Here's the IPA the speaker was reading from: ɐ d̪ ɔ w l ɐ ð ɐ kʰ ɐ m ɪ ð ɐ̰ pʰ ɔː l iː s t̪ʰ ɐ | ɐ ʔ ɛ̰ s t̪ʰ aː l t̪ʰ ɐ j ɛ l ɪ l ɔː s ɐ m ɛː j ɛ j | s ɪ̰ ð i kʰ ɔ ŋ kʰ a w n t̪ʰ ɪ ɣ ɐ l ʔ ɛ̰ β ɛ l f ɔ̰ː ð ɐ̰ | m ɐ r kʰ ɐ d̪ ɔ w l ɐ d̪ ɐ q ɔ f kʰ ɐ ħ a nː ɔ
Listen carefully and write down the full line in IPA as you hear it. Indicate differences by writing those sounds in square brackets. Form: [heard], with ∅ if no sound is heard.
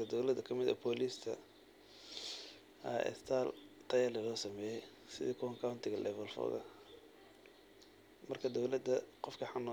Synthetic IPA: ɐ d̪ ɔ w l ɐ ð ɐ kʰ ɐ m ɪ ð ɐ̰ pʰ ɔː l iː s t̪ʰ ɐ | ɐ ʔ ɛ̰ s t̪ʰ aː l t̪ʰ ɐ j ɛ l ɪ l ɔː s ɐ m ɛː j ɛ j | s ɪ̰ ð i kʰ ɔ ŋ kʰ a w n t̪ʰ ɪ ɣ ɐ l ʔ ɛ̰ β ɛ l f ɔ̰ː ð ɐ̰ | m ɐ r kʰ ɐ d̪ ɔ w l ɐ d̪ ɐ q ɔ f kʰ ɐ ħ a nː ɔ